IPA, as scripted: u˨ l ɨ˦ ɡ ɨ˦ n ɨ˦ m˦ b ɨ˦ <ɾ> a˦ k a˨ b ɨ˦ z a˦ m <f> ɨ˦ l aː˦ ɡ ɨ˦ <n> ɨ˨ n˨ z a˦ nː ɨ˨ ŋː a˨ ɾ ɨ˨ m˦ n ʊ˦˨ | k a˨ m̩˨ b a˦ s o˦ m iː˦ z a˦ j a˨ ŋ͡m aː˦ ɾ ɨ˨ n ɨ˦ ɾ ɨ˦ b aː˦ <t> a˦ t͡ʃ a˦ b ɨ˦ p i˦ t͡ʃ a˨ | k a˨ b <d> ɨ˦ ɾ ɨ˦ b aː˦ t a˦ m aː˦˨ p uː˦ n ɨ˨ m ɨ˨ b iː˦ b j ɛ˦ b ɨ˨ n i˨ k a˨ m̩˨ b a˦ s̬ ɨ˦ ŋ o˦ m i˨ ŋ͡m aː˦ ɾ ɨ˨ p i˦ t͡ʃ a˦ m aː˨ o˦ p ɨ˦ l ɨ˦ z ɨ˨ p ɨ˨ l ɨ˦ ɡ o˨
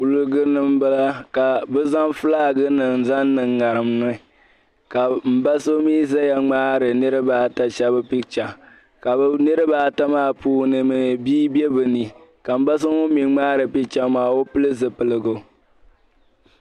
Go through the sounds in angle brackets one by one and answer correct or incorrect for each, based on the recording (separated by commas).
incorrect, correct, correct, correct, incorrect